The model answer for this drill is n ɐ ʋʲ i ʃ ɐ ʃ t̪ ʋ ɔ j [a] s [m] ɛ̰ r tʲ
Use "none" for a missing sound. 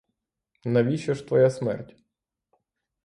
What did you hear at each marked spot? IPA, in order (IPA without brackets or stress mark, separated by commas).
a, m